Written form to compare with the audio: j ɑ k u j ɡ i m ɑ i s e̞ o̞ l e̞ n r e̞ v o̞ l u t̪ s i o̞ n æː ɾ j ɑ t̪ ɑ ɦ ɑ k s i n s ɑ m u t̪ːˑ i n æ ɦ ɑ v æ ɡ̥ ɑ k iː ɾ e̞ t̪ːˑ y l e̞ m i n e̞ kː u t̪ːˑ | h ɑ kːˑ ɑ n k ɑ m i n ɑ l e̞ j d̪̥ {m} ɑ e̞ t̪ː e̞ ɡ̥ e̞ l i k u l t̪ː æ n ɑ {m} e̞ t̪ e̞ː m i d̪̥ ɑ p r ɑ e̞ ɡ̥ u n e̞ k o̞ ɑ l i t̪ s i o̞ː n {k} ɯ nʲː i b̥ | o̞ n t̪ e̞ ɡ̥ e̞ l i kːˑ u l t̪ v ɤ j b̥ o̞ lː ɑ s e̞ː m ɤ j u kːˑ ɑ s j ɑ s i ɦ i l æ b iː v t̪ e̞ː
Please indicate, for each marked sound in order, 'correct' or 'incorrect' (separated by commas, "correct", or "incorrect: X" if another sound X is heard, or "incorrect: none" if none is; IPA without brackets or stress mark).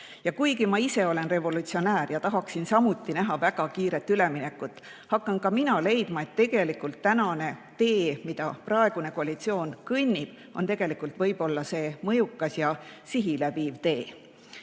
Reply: correct, incorrect: n, correct